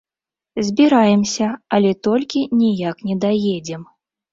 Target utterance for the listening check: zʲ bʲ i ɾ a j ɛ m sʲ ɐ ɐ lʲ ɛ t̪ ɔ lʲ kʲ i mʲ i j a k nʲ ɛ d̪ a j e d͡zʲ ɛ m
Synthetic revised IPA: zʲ bʲ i ɾ a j ɛ m sʲ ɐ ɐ lʲ ɛ t̪ ɔ lʲ kʲ i nʲ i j a k nʲ ɛ d̪ a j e d͡zʲ ɛ m